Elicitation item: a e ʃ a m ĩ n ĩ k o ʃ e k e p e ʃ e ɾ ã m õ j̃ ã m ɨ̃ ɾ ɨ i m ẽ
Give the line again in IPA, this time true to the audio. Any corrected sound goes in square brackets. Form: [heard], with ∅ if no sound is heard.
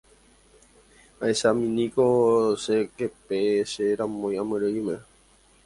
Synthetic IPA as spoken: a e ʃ a m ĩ n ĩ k o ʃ e k e p e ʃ e ɾ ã m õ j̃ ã m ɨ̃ ɾ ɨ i m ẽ